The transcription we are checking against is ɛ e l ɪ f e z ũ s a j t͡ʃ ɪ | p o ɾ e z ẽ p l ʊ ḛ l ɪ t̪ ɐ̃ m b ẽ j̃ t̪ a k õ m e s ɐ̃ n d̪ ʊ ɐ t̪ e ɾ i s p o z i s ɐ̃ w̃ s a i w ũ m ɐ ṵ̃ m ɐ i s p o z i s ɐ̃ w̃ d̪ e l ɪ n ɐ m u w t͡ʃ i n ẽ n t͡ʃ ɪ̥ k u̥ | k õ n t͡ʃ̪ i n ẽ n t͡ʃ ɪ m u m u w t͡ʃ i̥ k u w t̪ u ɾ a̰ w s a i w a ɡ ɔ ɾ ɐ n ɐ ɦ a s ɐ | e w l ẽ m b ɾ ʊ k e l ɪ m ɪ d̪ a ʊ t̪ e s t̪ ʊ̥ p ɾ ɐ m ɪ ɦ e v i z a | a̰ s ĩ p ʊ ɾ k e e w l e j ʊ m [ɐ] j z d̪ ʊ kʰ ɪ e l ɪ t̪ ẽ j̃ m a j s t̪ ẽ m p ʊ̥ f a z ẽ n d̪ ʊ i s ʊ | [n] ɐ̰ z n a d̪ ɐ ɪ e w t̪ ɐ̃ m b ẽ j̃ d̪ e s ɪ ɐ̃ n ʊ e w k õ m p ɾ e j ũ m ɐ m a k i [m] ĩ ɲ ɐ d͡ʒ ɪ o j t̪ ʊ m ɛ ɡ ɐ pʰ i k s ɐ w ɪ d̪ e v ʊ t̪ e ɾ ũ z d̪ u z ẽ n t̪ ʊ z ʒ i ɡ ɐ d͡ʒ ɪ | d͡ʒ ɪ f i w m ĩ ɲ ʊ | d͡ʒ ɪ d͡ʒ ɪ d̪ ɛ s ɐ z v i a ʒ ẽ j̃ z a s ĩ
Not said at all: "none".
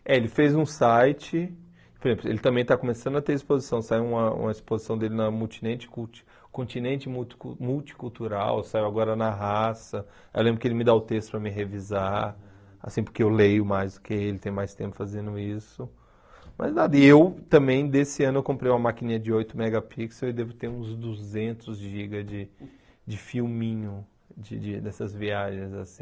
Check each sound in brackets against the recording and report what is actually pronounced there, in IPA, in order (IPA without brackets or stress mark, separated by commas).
a, m, n